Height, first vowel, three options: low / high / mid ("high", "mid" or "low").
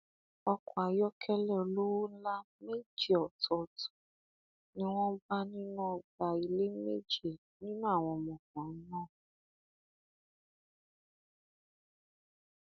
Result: mid